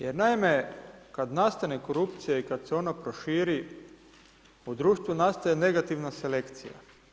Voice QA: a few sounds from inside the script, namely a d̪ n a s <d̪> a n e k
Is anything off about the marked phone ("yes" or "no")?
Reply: yes